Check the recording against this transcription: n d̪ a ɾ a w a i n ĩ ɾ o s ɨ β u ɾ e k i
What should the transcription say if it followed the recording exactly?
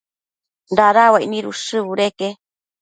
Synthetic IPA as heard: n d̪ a ɾ a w a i n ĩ ɾ u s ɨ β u ɾ e k e